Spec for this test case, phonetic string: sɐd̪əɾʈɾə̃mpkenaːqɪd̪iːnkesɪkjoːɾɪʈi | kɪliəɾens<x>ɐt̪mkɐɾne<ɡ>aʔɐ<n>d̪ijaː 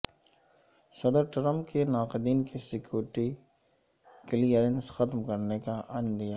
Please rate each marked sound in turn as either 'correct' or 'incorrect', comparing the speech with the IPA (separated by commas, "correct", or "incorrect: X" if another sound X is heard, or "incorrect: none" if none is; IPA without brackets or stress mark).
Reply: correct, incorrect: k, correct